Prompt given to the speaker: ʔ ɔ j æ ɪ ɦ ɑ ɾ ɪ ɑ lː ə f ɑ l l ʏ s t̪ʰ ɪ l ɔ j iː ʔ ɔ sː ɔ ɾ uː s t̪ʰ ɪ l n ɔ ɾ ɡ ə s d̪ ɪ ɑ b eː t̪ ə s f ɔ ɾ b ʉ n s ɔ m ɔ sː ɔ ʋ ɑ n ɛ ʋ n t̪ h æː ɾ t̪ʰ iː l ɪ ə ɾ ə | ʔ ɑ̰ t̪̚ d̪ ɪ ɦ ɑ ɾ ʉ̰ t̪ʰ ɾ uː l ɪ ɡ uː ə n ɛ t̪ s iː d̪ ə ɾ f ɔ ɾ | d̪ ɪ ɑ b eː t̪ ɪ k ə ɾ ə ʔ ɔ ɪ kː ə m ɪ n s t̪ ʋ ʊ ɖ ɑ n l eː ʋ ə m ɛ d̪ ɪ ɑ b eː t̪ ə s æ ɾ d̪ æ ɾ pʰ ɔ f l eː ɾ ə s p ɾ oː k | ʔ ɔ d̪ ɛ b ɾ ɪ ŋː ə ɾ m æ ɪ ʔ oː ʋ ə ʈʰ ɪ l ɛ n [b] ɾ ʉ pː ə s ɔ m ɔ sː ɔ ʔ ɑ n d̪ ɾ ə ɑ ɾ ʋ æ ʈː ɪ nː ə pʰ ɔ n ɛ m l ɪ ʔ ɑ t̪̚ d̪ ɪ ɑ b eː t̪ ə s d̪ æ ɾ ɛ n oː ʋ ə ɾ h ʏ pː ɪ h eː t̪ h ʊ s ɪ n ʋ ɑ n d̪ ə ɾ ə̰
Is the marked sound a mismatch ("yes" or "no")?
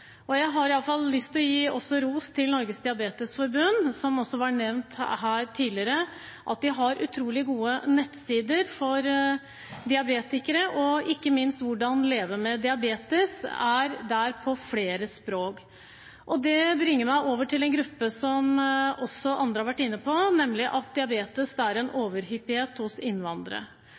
yes